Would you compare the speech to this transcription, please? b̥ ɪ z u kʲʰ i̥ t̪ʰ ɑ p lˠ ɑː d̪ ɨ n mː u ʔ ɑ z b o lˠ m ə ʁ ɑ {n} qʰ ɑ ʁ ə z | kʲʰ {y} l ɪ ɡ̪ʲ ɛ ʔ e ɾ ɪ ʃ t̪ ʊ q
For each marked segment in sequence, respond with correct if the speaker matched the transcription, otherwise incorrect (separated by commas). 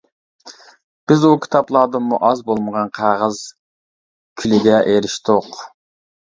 correct, correct